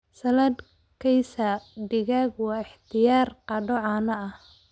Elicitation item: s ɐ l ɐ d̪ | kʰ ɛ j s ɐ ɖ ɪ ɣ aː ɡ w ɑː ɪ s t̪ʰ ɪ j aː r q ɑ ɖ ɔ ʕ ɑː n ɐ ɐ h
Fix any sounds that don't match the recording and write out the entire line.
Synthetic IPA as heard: s ɐ l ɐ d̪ | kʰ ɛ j s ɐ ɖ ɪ ɣ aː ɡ w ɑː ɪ ħ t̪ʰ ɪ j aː r q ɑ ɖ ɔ ʕ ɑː n ɐ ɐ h